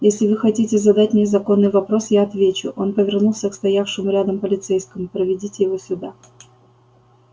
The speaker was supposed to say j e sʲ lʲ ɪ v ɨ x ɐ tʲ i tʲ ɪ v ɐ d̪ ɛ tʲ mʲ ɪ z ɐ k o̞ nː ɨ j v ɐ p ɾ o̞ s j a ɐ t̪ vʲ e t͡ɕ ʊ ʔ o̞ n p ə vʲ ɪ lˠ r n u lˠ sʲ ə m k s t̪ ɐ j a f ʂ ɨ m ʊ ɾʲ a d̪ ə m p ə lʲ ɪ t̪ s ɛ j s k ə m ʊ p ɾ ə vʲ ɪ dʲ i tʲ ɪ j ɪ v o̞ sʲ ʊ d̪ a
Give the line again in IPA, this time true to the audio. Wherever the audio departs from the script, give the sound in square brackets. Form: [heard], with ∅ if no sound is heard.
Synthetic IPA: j e sʲ lʲ ɪ v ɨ x ɐ tʲ i tʲ ɪ [z] ɐ d̪ [a] tʲ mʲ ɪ z ɐ k o̞ nː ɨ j v ɐ p ɾ o̞ s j a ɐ t̪ vʲ e t͡ɕ ʊ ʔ o̞ n p ə vʲ ɪ [∅] r n u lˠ sʲ ə [∅] k s t̪ ɐ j a f ʂ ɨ m ʊ ɾʲ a d̪ ə m p ə lʲ ɪ t̪ s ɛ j s k ə m ʊ p ɾ ə vʲ ɪ dʲ i tʲ ɪ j ɪ v o̞ sʲ ʊ d̪ a

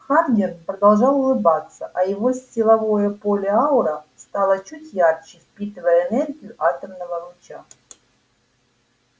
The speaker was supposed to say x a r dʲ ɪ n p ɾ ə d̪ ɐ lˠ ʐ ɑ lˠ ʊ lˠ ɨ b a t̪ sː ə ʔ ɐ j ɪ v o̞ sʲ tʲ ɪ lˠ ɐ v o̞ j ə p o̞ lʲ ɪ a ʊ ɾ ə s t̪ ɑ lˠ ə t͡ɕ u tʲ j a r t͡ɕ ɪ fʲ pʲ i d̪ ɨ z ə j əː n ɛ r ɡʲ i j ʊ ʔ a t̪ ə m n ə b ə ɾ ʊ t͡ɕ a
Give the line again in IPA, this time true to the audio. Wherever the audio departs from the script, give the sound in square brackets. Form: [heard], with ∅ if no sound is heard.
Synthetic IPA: x a r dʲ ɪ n p ɾ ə d̪ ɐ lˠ ʐ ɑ lˠ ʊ lˠ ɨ b a t̪ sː ə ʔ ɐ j ɪ v o̞ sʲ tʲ ɪ lˠ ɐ v o̞ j ə p o̞ lʲ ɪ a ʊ ɾ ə s t̪ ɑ lˠ ə t͡ɕ u tʲ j a r t͡ɕ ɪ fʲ pʲ i [t̪] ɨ [v] ə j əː n ɛ r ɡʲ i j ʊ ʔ a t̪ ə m n ə [v] ə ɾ ʊ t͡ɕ a

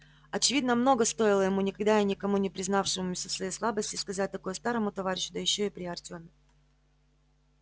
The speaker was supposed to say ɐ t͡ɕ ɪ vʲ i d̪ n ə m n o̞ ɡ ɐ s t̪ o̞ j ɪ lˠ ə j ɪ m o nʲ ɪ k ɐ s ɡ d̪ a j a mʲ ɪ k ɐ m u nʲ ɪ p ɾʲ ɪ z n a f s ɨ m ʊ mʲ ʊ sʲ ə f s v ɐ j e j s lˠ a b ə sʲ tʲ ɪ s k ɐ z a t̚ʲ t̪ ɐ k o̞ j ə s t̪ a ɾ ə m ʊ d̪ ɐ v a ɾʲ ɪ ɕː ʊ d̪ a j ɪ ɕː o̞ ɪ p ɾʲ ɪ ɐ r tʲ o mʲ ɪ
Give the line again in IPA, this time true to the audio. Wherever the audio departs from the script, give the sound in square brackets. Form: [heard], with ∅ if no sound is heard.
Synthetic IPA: ɐ t͡ɕ ɪ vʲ i d̪ n ə m n o̞ ɡ [ə] s t̪ o̞ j ɪ lˠ ə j ɪ m [u] nʲ ɪ k ɐ [∅] ɡ d̪ a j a [nʲ] ɪ k ɐ m u nʲ ɪ p ɾʲ ɪ z n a f [ʂ] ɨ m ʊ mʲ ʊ sʲ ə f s v ɐ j e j s lˠ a b ə sʲ tʲ ɪ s k ɐ z a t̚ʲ t̪ ɐ k o̞ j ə s t̪ a ɾ ə m ʊ [t̪] ɐ v a ɾʲ ɪ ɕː ʊ d̪ [ə] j ɪ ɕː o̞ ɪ p ɾʲ ɪ ɐ r tʲ o mʲ ɪ

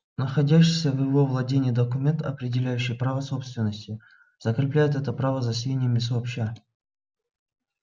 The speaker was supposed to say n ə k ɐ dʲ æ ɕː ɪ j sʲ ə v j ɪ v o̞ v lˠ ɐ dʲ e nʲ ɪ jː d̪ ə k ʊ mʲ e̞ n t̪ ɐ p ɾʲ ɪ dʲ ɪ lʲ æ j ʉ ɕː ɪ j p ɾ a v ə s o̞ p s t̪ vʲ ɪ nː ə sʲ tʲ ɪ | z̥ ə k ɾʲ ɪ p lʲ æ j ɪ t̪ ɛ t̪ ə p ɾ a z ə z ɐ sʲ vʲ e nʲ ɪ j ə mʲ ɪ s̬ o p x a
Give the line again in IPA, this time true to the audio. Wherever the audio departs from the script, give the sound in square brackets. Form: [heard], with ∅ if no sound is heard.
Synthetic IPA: n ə [x] ɐ dʲ æ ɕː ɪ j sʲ ə v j ɪ v o̞ v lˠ ɐ dʲ e nʲ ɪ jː d̪ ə k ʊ mʲ e̞ n t̪ ɐ p ɾʲ ɪ dʲ ɪ lʲ æ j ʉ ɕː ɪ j p ɾ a v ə s o̞ p s t̪ vʲ ɪ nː ə sʲ tʲ ɪ | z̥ ə k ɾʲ ɪ p lʲ æ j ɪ t̪ ɛ t̪ ə p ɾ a [v] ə z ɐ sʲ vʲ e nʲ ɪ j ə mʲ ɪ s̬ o p [ɕ] a

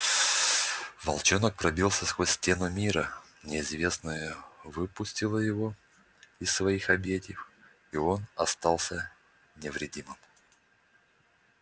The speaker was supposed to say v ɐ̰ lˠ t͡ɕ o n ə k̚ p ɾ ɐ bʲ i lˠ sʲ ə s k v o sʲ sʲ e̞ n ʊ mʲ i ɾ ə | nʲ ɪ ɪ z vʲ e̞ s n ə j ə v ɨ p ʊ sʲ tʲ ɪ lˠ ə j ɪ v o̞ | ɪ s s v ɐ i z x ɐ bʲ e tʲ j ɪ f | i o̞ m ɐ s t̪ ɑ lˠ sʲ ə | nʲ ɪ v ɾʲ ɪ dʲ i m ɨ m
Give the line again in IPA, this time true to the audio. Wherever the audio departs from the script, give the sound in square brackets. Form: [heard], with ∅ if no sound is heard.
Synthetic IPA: v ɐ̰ lˠ t͡ɕ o n ə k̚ p ɾ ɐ bʲ i lˠ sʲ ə s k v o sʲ [tʲ] e̞ n ʊ mʲ i ɾ ə | nʲ ɪ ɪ z vʲ e̞ s n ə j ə v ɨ p ʊ sʲ tʲ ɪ lˠ ə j ɪ v o̞ | ɪ s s v ɐ i [∅] x ɐ bʲ e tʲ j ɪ f | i o̞ [n] ɐ s t̪ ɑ lˠ sʲ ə | nʲ ɪ v ɾʲ ɪ dʲ i m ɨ m

